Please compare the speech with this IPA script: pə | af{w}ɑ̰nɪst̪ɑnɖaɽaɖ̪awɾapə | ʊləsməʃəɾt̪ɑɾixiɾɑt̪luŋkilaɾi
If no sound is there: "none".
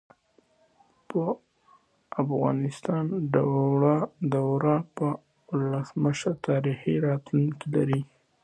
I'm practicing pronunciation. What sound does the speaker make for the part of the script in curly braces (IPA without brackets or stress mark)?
ɣ